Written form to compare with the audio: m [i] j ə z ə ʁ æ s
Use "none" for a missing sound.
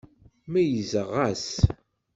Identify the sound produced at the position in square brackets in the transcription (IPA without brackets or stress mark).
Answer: æ